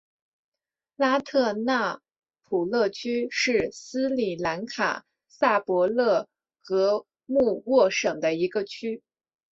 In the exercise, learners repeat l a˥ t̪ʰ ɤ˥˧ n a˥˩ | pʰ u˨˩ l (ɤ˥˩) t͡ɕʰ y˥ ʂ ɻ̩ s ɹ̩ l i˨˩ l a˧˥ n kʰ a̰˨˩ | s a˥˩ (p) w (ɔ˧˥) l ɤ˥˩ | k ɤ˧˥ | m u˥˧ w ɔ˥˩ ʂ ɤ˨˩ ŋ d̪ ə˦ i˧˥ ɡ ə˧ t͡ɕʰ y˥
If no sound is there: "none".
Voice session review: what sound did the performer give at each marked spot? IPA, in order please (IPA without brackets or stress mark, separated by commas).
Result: ɤ˥˩, p, ɔ˧˥